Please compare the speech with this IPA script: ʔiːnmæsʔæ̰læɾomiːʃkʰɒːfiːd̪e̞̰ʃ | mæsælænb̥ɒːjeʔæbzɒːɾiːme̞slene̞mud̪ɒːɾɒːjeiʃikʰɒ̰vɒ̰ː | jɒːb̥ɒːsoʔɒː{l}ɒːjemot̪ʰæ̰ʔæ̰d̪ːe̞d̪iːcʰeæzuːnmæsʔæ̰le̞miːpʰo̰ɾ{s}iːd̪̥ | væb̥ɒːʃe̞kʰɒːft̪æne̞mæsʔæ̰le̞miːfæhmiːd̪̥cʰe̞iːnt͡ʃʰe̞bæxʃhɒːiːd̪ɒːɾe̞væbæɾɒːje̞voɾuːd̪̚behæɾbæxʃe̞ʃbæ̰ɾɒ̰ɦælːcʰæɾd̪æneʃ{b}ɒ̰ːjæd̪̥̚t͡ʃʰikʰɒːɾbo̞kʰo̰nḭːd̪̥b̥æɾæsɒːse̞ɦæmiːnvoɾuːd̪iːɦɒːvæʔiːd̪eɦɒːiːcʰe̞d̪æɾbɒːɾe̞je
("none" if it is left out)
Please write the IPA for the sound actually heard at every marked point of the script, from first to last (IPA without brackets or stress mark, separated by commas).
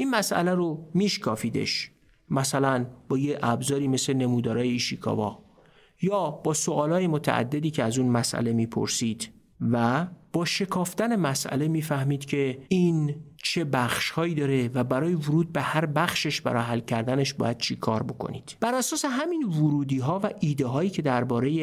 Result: l, s, b